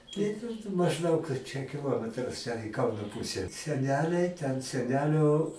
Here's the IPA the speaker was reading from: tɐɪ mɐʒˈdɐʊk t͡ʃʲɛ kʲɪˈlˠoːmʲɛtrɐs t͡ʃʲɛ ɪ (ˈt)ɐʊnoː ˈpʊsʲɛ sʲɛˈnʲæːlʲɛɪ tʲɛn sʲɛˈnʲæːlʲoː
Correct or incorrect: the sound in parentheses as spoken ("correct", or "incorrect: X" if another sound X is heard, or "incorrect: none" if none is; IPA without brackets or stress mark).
incorrect: k